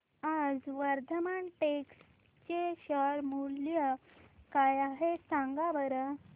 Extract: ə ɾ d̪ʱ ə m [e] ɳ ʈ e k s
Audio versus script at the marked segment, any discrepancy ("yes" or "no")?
yes